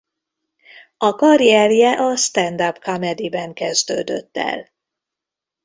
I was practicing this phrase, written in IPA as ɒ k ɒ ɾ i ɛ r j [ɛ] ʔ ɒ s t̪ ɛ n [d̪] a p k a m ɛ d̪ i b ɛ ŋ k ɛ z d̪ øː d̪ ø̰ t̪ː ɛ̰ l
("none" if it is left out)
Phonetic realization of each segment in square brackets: ɛ, d̪

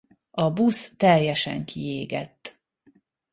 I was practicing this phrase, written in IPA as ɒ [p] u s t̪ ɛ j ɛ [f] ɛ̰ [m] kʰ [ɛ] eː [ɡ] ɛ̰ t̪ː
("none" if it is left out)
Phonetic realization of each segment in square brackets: b, ʃ, ŋ, i, ɡ

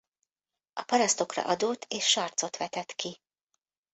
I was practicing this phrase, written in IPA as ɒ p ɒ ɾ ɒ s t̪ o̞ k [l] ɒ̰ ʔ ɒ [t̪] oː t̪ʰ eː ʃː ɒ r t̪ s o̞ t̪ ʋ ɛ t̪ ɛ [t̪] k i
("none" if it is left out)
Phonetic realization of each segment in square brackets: r, d̪, t̪

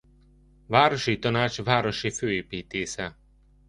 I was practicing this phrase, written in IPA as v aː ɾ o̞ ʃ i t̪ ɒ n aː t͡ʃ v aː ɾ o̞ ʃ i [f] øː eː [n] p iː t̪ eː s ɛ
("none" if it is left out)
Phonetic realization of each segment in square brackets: f, none

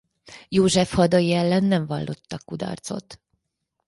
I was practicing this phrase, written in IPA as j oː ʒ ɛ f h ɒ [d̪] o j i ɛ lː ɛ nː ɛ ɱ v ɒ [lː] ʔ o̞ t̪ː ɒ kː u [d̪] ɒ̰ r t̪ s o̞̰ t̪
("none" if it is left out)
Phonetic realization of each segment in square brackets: d̪, lː, d̪

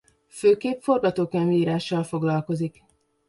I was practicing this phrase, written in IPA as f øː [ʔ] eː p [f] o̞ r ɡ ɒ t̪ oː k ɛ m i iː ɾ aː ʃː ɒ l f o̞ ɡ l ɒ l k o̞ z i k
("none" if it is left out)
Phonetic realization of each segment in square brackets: k, f

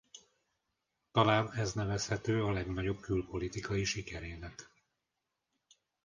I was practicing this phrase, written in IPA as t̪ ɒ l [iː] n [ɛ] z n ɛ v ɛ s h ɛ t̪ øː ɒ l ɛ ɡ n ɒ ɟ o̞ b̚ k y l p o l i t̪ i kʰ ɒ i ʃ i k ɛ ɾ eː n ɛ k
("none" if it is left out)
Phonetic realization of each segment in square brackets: aː, ɛ

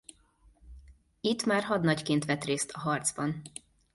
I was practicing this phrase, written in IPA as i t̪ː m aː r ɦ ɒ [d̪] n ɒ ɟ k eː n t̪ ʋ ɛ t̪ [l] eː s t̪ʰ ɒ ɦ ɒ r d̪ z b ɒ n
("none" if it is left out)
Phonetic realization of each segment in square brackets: d̪, r

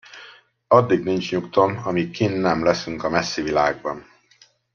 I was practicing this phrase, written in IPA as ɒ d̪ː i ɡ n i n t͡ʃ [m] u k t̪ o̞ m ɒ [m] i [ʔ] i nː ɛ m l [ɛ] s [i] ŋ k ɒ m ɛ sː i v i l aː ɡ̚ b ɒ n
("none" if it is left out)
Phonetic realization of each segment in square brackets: ɲ, m, k, ɛ, y

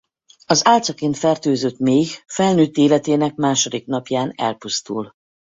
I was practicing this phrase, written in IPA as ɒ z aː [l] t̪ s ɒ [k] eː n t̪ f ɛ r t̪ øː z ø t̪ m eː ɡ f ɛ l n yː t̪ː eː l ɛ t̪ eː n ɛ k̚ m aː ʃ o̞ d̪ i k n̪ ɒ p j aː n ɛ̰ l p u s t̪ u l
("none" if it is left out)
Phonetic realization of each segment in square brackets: l, k

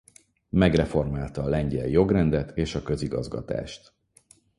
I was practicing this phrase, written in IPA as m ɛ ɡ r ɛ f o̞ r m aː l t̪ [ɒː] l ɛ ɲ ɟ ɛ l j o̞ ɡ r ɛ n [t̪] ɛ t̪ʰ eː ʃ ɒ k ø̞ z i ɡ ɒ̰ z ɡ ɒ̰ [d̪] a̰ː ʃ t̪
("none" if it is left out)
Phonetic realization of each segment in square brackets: ɒː, d̪, t̪

